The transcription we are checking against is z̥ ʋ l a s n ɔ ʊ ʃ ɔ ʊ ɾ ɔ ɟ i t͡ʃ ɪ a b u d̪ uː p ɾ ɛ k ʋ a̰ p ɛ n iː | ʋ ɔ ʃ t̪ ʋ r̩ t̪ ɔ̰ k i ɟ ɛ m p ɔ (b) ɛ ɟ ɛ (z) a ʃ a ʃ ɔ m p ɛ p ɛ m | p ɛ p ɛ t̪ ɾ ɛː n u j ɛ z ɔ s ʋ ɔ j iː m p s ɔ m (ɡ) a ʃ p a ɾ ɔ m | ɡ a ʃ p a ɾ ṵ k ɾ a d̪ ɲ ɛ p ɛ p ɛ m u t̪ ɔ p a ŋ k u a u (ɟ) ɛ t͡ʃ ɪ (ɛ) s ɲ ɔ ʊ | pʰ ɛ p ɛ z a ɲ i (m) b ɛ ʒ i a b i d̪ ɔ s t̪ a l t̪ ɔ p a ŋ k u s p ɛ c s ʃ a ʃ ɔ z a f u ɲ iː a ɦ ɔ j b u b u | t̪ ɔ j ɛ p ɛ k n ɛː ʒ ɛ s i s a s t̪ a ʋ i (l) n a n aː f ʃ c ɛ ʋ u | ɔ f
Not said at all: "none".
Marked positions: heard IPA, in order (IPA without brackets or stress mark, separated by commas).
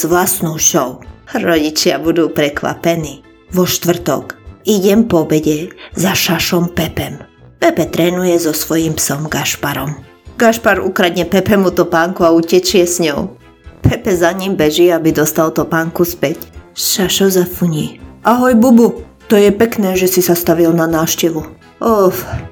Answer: b, z, ɡ, c, ɛ, m, l